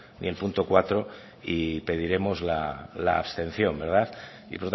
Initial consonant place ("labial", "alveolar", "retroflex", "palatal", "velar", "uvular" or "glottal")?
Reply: alveolar